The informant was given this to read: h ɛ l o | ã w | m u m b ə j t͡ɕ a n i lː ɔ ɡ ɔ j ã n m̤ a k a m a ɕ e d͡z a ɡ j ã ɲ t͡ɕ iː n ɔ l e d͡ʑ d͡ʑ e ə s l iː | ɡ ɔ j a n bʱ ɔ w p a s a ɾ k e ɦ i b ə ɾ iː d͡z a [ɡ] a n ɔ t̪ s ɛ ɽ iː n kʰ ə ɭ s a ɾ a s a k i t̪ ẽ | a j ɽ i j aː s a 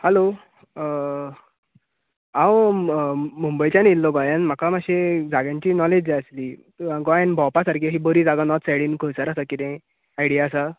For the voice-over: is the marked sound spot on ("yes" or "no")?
yes